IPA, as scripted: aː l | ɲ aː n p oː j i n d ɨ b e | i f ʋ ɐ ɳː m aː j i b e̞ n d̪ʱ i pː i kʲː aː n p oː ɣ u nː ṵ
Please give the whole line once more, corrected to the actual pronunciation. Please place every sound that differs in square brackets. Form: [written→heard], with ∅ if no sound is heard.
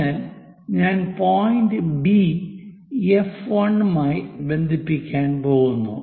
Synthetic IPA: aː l | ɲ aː n p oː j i n d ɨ b [e→i] | [i→e] f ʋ ɐ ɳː m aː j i b e̞ n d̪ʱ i pː i kʲː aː n p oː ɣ u nː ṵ